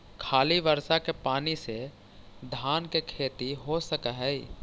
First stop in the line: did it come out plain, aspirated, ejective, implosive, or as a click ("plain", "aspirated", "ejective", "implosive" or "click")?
aspirated